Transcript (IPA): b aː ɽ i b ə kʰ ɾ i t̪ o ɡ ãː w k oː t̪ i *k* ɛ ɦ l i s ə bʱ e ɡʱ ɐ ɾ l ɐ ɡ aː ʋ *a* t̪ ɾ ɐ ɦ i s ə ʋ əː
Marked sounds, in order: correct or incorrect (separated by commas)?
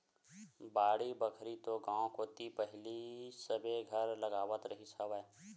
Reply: incorrect, incorrect